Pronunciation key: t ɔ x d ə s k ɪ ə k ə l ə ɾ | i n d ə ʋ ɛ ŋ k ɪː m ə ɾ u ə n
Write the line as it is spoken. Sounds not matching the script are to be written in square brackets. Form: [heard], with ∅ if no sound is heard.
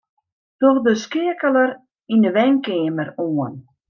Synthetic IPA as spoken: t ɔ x d ə s k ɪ ə k ə l ə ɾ | i n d ə ʋ ɛ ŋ k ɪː m ə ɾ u ə n